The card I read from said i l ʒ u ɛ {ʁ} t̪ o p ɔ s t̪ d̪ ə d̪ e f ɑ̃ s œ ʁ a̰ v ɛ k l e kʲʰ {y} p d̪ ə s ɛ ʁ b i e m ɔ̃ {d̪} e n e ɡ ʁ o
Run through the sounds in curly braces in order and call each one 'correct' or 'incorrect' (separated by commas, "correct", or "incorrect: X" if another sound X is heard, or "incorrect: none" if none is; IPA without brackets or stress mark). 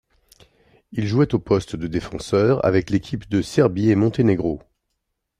incorrect: none, incorrect: i, incorrect: t̪